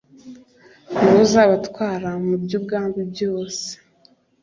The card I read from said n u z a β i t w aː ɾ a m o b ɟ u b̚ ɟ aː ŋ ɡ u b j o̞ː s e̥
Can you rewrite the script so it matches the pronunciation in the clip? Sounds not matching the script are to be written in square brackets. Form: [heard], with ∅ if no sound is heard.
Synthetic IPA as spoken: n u z a β [a] t w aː ɾ a m [u] b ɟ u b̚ [ɡ] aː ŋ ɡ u b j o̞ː s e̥